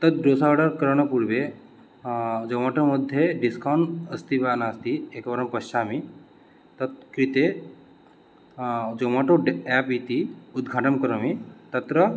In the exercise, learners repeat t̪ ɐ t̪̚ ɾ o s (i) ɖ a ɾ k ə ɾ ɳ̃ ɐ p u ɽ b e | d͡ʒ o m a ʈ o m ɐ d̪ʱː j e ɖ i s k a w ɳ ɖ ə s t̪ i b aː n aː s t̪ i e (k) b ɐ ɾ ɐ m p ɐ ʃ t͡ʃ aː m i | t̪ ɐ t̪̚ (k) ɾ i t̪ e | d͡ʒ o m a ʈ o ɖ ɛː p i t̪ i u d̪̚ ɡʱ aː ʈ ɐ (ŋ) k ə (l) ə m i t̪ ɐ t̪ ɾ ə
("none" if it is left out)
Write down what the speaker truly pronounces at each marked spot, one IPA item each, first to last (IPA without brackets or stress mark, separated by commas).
a, k, k, m, ɾ